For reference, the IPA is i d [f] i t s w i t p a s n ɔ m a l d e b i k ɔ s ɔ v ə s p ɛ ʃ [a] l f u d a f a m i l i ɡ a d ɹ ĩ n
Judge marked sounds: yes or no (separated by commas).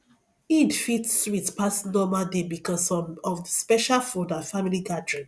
yes, yes